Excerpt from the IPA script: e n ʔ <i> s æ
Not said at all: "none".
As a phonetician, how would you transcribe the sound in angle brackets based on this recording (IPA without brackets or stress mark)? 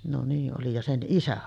i